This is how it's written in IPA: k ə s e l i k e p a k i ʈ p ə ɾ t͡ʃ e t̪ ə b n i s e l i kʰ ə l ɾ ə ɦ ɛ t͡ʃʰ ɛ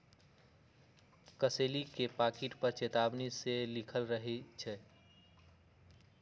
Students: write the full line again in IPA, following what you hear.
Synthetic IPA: k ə s e l i k e p a k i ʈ p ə ɾ t͡ʃ e t̪ a b n i s e l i kʰ ə l ɾ ə ɦ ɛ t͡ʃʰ ɛ